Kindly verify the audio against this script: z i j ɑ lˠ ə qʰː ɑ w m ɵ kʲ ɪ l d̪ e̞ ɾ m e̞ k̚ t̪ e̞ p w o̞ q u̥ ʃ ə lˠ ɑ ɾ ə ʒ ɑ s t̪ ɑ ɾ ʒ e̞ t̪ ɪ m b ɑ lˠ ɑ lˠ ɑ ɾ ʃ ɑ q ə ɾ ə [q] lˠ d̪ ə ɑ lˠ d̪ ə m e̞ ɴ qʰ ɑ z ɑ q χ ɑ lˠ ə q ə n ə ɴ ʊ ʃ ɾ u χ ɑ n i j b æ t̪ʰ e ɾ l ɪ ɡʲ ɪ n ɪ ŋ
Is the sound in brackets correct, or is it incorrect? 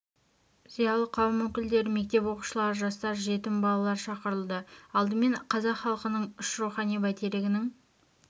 incorrect